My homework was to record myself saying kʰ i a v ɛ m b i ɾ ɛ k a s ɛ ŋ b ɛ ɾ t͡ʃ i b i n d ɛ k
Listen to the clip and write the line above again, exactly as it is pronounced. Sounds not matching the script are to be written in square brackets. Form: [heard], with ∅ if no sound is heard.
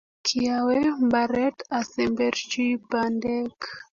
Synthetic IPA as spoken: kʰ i a [w] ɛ m b [a] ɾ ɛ [t] a s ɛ [m] b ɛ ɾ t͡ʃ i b [a] n d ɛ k

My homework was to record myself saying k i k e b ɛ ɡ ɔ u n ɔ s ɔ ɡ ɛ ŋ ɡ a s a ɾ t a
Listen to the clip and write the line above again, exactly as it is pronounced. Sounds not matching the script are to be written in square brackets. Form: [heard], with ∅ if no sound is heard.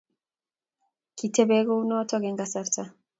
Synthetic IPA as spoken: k i [t] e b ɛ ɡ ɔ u n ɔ [t] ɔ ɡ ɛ ŋ ɡ a s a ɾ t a

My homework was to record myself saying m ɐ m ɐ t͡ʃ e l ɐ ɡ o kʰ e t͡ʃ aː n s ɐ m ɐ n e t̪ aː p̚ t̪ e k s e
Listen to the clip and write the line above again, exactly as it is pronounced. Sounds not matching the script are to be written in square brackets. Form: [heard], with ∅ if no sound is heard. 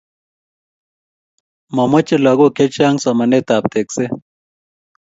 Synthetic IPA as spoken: m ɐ m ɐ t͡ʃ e l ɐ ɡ o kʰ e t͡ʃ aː [ŋ] s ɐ m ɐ n e t̪ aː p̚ t̪ e k s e

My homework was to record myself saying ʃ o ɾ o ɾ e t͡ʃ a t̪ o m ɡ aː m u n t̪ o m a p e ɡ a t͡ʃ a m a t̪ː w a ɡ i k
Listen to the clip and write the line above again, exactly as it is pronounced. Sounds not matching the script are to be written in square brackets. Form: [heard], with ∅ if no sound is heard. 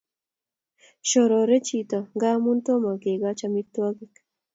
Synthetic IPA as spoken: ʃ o ɾ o ɾ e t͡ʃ [i] t̪ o [∅] ɡ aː m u n t̪ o m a [k] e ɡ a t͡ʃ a m [i] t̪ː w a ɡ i k

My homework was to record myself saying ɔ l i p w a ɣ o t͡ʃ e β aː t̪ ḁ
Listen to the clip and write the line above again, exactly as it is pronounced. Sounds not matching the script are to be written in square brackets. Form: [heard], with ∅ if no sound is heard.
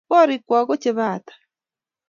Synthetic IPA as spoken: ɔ [ɾ] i [k] w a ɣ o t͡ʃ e β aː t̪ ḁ

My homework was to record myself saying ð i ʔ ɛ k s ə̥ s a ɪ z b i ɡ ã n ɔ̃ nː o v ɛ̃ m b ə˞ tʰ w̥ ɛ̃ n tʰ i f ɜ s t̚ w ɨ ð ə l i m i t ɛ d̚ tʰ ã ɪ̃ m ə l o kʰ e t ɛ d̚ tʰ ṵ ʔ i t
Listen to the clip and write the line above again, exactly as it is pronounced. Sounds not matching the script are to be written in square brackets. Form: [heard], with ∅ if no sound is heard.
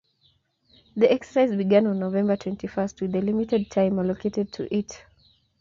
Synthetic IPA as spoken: ð i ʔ ɛ k s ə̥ s a ɪ z b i ɡ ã n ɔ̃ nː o v ɛ̃ m b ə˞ tʰ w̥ ɛ̃ n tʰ i f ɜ s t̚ w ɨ ð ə l i m i t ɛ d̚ tʰ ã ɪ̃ m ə l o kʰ e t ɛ d̚ tʰ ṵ ʔ i t

